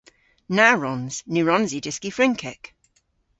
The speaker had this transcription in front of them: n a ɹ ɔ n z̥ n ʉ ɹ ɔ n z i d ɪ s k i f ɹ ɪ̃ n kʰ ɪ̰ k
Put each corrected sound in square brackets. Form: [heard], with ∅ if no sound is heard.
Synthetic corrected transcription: n a ɹ ɔ n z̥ n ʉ ɹ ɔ n z i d ɪ s k i f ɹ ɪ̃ [ŋ] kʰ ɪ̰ k